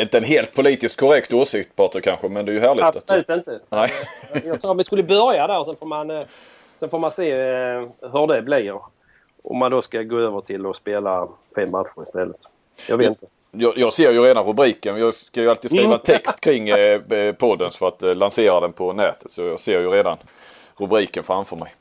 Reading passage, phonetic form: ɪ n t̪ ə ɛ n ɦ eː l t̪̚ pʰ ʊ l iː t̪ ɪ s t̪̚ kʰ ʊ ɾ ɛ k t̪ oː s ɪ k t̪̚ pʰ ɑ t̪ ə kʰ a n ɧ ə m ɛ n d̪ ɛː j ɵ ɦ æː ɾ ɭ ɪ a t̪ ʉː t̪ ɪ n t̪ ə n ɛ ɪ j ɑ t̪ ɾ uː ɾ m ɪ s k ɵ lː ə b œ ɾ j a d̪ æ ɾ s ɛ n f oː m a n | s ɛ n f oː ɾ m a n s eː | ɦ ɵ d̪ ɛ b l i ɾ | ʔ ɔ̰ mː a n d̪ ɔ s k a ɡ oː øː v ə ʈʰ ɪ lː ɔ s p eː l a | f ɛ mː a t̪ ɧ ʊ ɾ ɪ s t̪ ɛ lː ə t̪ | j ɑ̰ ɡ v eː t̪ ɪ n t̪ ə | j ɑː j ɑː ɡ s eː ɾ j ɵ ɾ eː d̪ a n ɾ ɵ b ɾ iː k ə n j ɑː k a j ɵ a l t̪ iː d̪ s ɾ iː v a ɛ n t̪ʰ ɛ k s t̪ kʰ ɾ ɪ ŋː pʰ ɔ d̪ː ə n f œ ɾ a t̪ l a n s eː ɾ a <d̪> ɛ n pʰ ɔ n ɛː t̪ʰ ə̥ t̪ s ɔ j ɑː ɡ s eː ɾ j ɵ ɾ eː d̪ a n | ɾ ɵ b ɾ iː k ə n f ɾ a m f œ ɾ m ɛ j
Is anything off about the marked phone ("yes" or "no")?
no